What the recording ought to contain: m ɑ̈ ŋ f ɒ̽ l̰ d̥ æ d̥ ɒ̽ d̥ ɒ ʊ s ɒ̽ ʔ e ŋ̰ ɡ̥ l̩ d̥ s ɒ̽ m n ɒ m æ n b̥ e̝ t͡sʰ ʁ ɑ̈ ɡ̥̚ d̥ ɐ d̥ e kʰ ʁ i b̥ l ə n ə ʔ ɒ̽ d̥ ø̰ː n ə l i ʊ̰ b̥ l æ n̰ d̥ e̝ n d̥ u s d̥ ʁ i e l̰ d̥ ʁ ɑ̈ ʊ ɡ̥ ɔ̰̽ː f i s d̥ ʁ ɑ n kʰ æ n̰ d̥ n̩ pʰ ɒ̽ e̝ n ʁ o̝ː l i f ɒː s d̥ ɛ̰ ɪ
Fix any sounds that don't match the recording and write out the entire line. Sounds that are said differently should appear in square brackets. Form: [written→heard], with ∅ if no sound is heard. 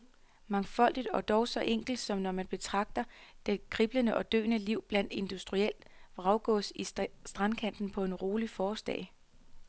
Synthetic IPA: m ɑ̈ ŋ f ɒ̽ l̰ d̥ [æ→i] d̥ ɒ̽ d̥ ɒ ʊ s ɒ̽ ʔ e ŋ̰ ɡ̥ l̩ d̥ s ɒ̽ m n ɒ m æ n b̥ e̝ t͡sʰ ʁ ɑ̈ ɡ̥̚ d̥ ɐ d̥ e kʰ ʁ i b̥ l ə n ə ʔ ɒ̽ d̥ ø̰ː n ə l i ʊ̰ b̥ l æ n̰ d̥ e̝ n d̥ u s d̥ ʁ i e l̰ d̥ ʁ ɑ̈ ʊ ɡ̥ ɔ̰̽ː [f→s] i s d̥ ʁ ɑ n kʰ æ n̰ d̥ n̩ pʰ ɒ̽ e̝ n ʁ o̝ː l i f ɒː s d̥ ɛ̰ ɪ